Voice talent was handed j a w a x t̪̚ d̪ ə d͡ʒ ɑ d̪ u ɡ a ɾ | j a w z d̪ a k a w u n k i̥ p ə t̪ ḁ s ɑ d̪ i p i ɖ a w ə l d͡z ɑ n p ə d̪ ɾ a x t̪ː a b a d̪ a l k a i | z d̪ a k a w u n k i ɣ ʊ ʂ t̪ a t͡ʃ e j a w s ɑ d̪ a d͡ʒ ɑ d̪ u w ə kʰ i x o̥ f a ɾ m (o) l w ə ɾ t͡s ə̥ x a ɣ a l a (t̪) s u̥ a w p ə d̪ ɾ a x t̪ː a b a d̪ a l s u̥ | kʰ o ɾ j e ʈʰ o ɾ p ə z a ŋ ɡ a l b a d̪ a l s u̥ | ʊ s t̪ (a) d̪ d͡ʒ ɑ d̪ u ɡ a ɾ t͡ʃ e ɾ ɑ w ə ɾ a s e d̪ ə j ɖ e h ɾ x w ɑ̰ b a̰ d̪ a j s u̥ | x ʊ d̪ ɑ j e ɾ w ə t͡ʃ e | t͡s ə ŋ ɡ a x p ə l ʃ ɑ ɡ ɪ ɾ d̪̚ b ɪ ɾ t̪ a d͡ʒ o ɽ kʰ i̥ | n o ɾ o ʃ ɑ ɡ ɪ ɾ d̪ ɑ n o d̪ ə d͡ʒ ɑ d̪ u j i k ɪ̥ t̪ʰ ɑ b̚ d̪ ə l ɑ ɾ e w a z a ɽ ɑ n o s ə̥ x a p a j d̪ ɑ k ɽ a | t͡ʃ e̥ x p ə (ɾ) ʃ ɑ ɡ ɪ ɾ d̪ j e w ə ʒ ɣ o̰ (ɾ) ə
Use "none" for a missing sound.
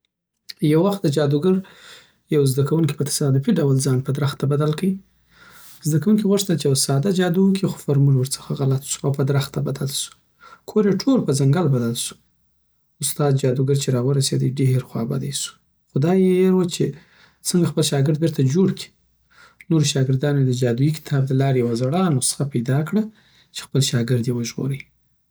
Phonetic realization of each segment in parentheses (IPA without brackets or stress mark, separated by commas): u, t̪, ɑ, l, ɾ